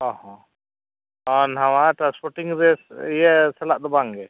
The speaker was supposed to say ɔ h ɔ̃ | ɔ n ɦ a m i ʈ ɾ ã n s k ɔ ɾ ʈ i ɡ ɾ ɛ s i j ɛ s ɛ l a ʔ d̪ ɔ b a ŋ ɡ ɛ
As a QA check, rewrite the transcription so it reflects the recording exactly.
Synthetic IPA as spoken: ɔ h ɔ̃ | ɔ n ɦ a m a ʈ ɾ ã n s p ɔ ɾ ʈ i ŋ ɾ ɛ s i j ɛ s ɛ l a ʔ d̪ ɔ b a ŋ ɡ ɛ